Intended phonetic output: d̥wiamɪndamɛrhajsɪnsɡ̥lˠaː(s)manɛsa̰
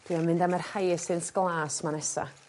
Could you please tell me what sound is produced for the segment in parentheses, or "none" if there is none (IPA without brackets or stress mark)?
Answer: s